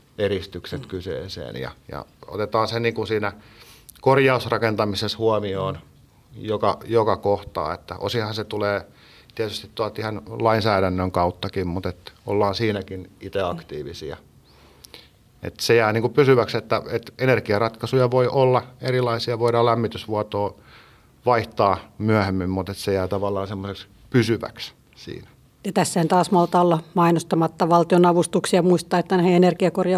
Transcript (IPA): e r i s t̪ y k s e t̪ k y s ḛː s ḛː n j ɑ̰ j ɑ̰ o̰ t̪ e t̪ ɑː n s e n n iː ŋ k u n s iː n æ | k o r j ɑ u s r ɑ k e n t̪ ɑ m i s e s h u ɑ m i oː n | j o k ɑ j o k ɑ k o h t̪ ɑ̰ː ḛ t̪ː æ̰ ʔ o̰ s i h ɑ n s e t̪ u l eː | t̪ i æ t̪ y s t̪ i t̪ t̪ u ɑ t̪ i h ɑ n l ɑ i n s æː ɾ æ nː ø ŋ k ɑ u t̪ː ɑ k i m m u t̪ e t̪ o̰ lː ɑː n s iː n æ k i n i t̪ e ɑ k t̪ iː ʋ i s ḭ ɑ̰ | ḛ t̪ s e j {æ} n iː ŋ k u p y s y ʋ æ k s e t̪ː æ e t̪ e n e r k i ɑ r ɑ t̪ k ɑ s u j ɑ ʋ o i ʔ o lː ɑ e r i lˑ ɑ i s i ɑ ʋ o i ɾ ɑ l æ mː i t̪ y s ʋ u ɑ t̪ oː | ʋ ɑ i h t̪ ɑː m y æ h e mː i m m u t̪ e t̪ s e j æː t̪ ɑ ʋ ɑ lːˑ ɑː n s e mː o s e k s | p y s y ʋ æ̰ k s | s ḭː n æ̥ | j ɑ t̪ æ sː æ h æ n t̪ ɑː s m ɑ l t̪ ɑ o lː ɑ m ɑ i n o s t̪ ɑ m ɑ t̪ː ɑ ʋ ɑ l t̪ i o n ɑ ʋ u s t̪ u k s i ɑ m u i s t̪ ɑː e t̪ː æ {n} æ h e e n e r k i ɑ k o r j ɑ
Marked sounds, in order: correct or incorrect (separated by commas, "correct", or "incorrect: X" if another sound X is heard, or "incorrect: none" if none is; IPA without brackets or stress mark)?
incorrect: æː, correct